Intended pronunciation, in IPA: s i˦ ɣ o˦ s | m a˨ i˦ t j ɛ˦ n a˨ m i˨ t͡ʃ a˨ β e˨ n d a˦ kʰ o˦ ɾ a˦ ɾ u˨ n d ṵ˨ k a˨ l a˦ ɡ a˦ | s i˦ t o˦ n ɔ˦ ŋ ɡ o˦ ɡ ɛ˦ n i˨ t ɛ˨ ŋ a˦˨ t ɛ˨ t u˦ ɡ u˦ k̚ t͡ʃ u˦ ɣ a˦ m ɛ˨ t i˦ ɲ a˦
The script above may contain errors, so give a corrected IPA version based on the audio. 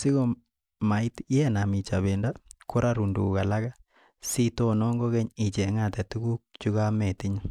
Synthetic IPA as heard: s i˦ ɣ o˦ | m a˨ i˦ t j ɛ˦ n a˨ m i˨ t͡ʃ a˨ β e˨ n d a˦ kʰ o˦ ɾ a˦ ɾ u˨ n d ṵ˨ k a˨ l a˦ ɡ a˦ | s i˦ t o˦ n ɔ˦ ŋ ɡ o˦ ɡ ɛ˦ ɲ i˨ t͡ʃ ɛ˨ ŋ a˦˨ t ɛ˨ t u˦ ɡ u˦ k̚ t͡ʃ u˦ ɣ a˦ m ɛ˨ t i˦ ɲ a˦

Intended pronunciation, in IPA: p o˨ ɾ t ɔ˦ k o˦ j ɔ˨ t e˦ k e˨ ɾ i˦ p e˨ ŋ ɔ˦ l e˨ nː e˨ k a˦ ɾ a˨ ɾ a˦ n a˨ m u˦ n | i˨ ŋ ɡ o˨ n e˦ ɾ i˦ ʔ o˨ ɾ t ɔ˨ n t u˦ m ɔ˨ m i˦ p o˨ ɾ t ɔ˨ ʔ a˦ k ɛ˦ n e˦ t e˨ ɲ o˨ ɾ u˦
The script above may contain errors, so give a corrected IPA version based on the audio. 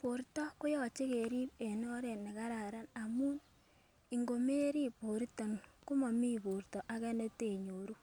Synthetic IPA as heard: p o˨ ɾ t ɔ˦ k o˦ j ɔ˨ t͡ʃ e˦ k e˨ ɾ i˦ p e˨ n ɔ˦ ɾ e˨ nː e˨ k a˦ ɾ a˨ ɾ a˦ n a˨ m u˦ n | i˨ ŋ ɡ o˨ m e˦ ɾ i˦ p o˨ ɾ t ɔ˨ n k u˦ m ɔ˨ m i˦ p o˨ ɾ t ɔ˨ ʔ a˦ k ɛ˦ n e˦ t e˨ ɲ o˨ ɾ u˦

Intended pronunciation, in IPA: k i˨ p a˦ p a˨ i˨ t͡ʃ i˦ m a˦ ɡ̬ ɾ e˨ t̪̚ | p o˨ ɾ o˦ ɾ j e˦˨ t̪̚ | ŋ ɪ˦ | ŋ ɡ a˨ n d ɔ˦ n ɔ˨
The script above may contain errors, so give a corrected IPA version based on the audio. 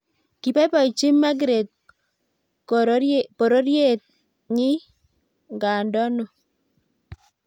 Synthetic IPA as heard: k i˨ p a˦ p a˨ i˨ t͡ʃ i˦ m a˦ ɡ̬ ɾ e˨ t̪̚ | p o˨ ɾ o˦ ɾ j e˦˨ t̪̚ | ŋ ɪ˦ | ŋ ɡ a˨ n d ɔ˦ n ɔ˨

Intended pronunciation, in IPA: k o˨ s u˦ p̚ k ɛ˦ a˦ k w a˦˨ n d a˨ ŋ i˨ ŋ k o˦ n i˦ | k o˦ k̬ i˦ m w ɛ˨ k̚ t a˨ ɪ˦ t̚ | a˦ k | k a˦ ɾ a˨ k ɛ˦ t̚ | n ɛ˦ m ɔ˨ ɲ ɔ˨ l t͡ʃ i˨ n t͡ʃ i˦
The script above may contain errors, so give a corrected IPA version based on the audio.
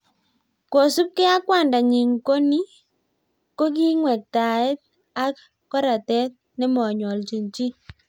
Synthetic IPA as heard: k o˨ s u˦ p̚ k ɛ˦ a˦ k w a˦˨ n d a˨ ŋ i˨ ŋ k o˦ n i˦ | k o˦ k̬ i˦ ŋ w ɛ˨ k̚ t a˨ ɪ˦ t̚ | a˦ k | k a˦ ɾ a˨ t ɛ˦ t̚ | n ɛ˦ m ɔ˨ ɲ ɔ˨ l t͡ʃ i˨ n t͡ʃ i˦

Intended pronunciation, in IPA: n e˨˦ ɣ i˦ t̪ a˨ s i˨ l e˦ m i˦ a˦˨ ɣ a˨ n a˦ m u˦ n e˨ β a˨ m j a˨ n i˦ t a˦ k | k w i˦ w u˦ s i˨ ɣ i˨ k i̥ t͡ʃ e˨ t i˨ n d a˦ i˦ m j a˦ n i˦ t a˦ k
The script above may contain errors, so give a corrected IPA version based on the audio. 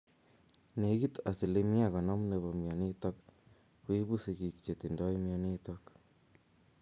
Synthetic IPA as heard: n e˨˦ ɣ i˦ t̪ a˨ s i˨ l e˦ m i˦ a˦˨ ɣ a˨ n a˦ m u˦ n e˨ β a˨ m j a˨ n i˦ t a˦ k | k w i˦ β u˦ s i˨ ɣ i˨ k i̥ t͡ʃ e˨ t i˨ n d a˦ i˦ m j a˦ n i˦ t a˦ k

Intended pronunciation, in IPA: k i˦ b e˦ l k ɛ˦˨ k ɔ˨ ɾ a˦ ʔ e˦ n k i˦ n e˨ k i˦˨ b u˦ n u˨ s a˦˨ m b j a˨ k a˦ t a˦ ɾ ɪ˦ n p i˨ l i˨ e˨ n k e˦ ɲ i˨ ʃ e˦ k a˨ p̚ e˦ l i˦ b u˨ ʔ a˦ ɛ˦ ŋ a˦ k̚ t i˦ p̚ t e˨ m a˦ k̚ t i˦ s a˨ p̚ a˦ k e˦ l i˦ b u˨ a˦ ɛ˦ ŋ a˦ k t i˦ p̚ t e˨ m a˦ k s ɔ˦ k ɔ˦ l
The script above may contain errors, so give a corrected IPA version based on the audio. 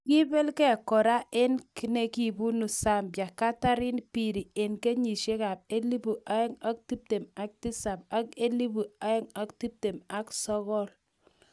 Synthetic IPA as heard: k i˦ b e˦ l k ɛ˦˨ k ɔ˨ ɾ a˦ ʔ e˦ n k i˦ n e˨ k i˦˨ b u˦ n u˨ s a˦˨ m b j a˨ k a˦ t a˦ ɾ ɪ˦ n p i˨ ɾ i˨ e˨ n k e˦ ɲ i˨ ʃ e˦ k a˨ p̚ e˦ l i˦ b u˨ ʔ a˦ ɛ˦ ŋ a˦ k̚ t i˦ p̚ t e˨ m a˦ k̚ t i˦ s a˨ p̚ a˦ k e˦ l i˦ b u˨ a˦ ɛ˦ ŋ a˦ k t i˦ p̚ t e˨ m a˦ k s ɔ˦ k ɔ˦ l

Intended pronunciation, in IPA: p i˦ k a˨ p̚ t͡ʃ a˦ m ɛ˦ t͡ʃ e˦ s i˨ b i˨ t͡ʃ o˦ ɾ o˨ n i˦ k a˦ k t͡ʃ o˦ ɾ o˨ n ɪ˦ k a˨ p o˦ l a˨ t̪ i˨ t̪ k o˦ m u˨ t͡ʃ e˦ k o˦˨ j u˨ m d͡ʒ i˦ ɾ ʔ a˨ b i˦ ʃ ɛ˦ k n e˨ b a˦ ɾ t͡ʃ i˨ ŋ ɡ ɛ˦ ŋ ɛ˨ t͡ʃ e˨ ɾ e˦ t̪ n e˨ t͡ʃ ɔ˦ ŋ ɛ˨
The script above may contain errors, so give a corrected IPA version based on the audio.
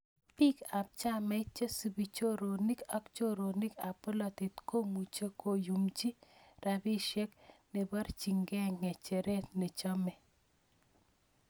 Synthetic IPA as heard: p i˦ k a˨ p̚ t͡ʃ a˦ m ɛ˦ t͡ʃ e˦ s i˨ b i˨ t͡ʃ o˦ ɾ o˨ n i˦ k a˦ k t͡ʃ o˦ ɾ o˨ n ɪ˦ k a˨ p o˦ l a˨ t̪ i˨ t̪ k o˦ m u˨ t͡ʃ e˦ k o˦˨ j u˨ m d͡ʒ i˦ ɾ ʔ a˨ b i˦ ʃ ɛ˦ k n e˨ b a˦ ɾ t͡ʃ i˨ ŋ ɡ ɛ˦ ŋ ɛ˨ t͡ʃ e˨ ɾ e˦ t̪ n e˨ t͡ʃ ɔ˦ m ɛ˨

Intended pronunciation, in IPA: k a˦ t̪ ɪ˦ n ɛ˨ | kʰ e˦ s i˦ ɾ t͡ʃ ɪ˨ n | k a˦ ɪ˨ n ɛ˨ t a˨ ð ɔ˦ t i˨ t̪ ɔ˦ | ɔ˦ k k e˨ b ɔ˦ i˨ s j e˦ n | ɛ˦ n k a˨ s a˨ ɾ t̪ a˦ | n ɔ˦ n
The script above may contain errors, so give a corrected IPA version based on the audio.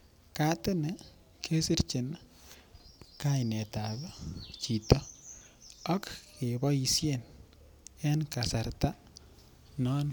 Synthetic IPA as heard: k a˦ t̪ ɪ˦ n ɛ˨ | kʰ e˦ s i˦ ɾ t͡ʃ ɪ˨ n | k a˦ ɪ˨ n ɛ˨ t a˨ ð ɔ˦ t͡ʃ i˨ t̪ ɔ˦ | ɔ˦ k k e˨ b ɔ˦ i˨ s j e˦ n | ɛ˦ n k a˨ s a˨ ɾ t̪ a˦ | n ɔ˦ n

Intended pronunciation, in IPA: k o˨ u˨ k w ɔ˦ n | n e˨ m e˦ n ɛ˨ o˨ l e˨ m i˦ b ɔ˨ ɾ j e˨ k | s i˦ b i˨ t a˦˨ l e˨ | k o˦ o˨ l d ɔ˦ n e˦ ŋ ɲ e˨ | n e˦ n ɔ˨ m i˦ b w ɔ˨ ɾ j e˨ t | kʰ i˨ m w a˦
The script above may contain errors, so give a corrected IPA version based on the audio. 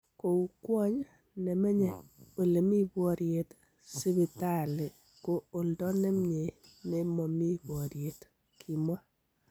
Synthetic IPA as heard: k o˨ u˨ k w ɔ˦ ɲ | n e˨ m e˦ ɲ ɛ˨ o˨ l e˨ m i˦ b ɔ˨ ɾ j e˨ t | s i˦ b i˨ t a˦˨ l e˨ | k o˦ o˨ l d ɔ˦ n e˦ m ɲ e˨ | n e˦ m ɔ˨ m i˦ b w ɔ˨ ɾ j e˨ t | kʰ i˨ m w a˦

